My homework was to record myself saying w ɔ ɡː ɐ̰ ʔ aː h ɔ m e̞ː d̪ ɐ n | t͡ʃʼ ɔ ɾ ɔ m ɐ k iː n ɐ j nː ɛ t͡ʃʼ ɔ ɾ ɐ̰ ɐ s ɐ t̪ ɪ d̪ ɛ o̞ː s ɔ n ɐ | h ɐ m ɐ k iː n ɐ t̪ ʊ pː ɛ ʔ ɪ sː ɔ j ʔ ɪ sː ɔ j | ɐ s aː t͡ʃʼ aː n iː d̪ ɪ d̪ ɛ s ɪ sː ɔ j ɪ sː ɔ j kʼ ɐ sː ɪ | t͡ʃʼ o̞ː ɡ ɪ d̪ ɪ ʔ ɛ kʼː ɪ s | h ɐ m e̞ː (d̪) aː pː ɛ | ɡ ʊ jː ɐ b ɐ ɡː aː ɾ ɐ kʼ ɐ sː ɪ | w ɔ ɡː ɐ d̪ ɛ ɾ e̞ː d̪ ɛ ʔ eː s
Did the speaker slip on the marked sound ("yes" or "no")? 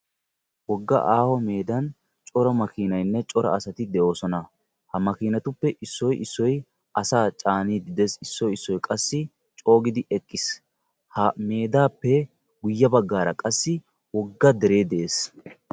no